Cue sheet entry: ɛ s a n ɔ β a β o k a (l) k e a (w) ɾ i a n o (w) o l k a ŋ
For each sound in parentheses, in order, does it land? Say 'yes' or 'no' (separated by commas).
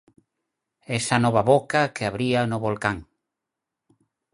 no, no, no